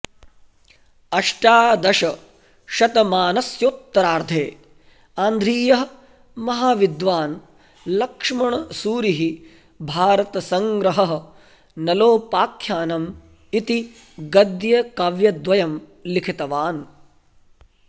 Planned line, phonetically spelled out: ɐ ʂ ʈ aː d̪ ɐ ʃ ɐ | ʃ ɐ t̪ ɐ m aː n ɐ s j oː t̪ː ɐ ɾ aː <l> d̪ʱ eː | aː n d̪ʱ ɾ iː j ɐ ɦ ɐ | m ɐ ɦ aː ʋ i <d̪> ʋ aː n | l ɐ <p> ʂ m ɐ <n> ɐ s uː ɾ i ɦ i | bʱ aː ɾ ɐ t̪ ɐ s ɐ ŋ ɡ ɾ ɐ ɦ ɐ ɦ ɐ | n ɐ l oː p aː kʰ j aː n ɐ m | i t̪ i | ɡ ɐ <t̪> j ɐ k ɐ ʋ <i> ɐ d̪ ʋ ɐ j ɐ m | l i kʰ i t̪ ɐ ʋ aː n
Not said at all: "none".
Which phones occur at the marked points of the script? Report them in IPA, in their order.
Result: ɾ, d̪, k, ɳ, d̪, j

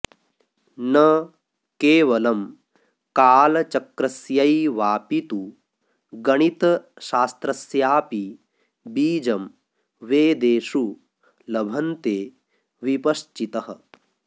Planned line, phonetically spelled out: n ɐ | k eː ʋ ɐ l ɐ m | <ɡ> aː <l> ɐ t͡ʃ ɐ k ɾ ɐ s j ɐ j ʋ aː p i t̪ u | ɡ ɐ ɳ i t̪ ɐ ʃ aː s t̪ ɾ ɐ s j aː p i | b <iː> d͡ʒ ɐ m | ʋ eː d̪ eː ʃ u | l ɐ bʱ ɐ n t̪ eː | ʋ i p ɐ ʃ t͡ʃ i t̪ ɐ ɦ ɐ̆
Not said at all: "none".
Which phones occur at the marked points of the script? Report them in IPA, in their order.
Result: k, l, iː

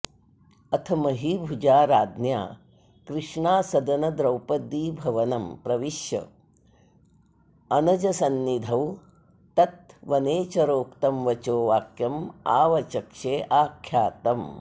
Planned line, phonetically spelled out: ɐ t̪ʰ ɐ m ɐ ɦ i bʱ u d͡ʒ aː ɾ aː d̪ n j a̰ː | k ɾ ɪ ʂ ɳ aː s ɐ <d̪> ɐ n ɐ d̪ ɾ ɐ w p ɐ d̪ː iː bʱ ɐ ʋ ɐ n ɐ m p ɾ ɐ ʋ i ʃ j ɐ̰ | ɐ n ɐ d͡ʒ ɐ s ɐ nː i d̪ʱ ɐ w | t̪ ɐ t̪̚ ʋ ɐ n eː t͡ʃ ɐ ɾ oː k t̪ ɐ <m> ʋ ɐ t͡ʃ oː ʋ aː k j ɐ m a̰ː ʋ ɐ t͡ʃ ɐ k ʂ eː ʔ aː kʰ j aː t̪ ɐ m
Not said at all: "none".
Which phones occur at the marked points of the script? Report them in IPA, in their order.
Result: d̪, m

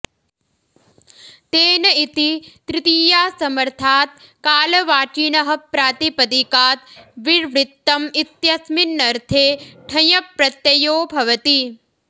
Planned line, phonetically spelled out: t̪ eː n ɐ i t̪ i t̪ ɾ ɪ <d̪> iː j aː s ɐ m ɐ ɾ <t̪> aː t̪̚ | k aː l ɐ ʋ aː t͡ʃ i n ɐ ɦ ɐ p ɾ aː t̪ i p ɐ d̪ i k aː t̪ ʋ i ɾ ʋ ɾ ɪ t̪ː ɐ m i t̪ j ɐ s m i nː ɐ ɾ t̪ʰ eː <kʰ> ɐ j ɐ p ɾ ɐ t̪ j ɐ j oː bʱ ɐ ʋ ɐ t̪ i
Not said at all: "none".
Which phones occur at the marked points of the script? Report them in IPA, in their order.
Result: t̪, t̪ʰ, ʈʰ

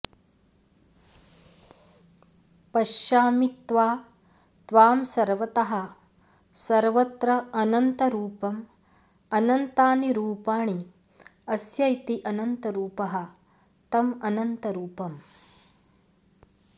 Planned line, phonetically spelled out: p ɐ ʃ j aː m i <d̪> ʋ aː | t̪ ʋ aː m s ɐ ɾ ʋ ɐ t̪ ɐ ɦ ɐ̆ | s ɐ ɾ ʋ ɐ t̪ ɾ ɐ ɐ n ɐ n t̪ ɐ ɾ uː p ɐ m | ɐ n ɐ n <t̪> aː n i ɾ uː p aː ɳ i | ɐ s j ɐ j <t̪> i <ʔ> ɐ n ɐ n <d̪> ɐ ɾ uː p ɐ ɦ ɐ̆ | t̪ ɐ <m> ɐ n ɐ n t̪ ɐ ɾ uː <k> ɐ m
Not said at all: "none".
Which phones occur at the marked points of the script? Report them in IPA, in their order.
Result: t̪, t̪, t̪, ʔ, t̪, m, p

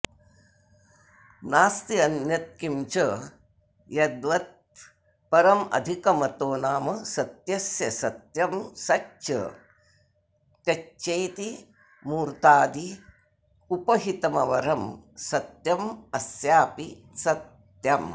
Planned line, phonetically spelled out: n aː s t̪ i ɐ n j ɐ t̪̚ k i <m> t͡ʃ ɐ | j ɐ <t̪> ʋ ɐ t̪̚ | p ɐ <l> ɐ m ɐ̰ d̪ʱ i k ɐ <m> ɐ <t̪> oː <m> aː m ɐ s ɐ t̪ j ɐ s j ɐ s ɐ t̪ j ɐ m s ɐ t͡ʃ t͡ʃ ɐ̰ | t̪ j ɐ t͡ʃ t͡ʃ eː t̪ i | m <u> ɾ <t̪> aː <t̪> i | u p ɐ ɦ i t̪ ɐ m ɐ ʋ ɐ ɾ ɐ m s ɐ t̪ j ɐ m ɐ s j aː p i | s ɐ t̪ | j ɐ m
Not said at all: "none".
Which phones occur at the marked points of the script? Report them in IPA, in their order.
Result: m, d̪, ɾ, m, t̪, n, uː, t̪, d̪

